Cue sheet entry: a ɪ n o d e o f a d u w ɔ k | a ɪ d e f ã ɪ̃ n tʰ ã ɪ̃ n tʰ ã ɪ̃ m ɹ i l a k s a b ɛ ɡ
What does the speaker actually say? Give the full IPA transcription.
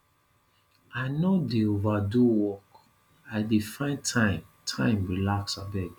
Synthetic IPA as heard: a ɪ n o d e o v a d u w ɔ k | a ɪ d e f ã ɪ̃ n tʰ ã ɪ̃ m tʰ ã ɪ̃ m ɹ i l a k s a b ɛ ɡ